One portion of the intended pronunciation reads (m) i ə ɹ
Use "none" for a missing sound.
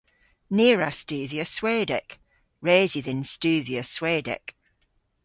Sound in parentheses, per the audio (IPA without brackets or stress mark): n